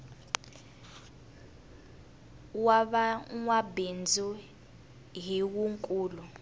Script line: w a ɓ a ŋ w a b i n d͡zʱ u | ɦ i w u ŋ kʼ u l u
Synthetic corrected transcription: w a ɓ a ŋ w a b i n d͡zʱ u | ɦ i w u ŋ kʼ uː l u